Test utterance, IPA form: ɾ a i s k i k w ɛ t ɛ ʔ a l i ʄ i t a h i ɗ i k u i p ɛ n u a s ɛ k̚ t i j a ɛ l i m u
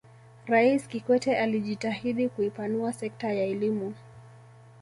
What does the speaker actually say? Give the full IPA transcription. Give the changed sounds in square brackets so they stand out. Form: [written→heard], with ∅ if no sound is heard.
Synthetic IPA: ɾ a i s k i k w ɛ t ɛ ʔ a l i ʄ i t a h i ɗ i k u i p [ɛ→a] n u a s ɛ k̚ t [i→a] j a ɛ l i m u